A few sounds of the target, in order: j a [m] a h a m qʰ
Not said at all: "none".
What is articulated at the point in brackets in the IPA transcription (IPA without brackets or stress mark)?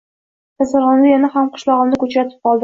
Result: n